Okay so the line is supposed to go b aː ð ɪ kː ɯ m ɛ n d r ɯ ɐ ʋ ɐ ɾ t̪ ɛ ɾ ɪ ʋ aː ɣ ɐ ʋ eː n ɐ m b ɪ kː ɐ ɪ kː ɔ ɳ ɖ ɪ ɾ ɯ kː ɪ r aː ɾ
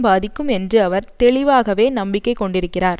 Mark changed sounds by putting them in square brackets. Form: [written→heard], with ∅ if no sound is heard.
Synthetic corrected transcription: b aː ð ɪ kː ɯ m ɛ n d r ɯ ɐ ʋ ɐ ɾ t̪ ɛ [ɾ→ɭ] ɪ ʋ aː ɣ ɐ ʋ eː n ɐ m b ɪ kː ɐ ɪ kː ɔ ɳ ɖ ɪ ɾ ɯ kː ɪ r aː ɾ